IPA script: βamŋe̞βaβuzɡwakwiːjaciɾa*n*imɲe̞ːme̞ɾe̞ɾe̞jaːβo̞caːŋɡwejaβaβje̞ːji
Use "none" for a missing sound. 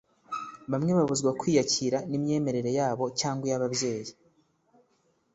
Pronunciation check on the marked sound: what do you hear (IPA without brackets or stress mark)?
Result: n